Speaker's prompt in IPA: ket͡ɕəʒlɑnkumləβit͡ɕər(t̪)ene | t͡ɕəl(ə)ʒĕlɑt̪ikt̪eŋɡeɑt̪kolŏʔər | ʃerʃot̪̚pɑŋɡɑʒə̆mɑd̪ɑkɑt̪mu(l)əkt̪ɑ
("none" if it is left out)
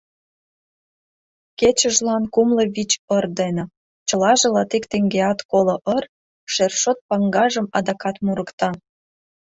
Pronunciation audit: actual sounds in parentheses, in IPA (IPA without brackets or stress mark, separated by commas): d̪, ɑ, ɾ